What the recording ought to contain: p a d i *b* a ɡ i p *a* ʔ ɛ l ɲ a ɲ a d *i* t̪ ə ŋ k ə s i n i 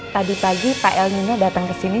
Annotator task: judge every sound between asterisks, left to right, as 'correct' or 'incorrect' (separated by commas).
incorrect, correct, incorrect